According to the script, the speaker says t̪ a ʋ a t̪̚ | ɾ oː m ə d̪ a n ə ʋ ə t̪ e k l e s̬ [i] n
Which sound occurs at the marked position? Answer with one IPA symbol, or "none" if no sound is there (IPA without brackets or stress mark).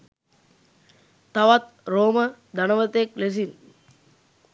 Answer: i